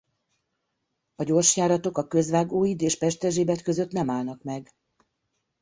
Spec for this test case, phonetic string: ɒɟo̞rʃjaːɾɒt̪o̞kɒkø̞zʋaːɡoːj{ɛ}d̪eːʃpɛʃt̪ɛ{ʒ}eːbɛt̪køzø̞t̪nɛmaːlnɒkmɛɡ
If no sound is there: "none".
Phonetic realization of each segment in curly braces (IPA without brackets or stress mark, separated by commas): i, ʒ